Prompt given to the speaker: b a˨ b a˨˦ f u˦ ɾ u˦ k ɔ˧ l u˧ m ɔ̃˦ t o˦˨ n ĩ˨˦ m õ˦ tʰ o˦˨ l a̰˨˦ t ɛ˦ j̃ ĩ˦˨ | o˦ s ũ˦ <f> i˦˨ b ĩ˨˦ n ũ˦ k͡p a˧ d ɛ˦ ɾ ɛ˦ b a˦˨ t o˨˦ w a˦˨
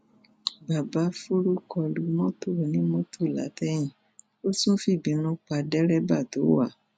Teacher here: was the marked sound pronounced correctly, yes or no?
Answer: yes